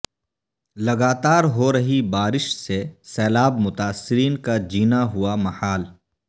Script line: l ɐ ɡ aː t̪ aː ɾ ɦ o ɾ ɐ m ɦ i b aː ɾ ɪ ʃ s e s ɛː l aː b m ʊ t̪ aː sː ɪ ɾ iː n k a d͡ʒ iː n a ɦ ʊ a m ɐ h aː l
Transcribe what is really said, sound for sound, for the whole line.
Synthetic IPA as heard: l ɐ ɡ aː t̪ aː ɾ ɦ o ɾ ɐ ɦ i b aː ɾ ɪ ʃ s e s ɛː l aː b m ʊ t̪ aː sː ɪ ɾ iː n k a d͡ʒ iː n a ɦ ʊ a m ɐ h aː l